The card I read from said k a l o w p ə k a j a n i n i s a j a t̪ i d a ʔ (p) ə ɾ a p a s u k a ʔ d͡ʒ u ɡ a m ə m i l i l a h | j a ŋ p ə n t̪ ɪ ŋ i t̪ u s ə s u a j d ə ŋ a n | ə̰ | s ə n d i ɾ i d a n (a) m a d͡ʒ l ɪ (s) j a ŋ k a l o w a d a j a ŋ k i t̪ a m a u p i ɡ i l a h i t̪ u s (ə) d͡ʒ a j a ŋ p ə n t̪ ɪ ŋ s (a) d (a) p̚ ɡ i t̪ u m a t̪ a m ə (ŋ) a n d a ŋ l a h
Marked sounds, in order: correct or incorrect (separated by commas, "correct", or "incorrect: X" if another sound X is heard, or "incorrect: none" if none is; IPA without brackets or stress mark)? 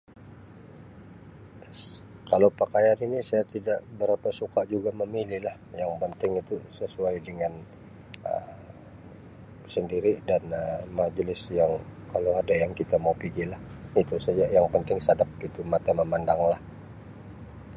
incorrect: b, incorrect: ə, correct, incorrect: a, correct, correct, incorrect: m